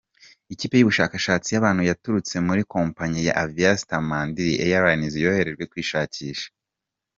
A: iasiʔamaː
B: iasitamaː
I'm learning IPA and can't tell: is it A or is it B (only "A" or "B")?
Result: B